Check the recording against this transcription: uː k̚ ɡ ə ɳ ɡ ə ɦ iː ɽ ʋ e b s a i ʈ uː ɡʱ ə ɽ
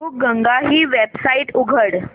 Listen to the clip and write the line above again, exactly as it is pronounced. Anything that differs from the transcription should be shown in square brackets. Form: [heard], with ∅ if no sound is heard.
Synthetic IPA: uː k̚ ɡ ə [ŋ] ɡ [a] ɦ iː [∅] ʋ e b s a i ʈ [u] ɡʱ ə ɽ